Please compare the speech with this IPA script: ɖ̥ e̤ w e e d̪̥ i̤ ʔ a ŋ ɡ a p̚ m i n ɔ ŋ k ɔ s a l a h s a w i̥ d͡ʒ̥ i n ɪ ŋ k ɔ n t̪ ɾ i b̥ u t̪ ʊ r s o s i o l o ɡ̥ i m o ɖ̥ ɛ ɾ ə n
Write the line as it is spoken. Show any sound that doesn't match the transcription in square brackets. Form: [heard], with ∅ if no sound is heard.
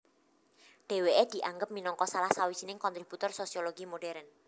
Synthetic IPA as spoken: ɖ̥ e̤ w e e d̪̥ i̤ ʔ a ŋ ɡ [ə] p̚ m i n ɔ ŋ k ɔ s a l a h s a w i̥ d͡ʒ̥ i n ɪ ŋ k ɔ n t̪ ɾ i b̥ u t̪ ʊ r s o s i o l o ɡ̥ i m o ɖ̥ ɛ ɾ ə n